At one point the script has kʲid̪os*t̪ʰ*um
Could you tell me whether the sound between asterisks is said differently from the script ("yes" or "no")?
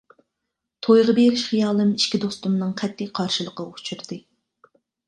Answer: yes